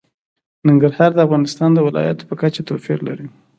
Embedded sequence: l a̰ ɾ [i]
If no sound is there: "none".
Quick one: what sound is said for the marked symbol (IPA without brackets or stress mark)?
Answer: i